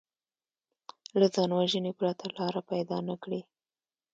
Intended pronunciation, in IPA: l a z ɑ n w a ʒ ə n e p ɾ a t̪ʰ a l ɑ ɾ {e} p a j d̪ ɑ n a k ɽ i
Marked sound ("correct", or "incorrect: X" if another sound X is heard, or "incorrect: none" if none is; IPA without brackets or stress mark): incorrect: a